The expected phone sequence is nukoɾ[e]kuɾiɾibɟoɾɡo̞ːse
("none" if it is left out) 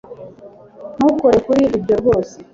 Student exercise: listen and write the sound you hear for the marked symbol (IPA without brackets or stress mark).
e